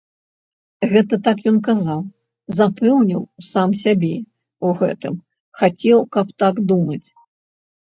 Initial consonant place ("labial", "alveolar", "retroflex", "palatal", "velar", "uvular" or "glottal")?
velar